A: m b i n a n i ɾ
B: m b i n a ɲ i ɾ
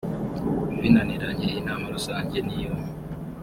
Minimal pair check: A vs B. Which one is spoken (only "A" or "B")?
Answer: A